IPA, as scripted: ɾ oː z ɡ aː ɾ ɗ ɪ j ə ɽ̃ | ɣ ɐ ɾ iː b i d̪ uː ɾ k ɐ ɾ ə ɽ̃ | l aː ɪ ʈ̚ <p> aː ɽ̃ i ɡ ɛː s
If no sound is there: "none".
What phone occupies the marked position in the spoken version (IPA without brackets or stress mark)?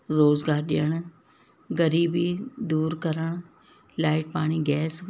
p